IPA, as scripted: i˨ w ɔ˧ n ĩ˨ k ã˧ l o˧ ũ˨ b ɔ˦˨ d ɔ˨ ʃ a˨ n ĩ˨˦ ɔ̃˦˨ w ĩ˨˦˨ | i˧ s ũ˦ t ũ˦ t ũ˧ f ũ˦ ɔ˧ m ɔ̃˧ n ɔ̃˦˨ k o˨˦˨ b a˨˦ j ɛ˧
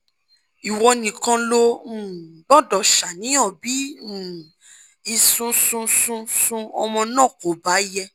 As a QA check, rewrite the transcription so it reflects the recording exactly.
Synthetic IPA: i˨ w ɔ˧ n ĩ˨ k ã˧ l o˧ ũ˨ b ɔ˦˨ d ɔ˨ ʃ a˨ n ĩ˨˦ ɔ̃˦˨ b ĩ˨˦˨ | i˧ s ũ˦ s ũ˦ s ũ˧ s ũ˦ ɔ˧ m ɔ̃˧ n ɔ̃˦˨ k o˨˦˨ b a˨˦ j ɛ˧